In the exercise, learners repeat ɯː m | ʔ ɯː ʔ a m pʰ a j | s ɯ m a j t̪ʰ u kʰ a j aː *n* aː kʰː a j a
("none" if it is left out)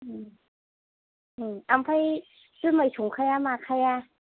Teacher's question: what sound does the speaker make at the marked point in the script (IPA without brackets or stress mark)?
m